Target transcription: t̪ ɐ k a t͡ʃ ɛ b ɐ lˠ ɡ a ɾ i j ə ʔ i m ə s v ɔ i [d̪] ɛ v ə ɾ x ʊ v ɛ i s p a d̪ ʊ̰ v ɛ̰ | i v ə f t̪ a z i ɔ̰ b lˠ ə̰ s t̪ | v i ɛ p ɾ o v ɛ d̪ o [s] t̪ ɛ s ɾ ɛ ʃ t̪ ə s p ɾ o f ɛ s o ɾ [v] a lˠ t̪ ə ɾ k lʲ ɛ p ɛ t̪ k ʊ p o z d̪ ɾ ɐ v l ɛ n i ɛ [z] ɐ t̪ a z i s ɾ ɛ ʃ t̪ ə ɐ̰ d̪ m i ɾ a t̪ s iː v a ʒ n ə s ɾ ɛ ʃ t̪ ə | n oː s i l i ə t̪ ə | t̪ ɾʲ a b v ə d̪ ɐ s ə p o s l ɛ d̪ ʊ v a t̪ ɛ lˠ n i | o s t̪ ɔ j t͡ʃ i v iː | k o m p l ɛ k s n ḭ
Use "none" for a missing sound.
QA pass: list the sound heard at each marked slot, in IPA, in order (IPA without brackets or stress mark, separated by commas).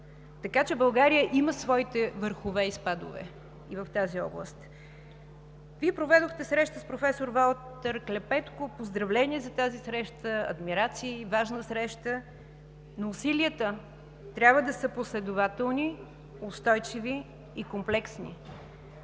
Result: t̪, x, v, z